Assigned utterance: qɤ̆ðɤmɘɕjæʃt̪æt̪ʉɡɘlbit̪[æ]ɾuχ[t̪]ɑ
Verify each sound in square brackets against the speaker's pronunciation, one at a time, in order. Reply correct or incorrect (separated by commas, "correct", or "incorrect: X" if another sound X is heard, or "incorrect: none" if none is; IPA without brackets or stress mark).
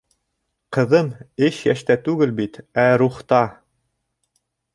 correct, correct